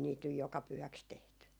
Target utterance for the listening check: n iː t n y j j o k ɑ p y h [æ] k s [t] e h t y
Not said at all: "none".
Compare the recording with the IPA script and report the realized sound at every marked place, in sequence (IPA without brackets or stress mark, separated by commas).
æ, t